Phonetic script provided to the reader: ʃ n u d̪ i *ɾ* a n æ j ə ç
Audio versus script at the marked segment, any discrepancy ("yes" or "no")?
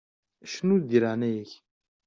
no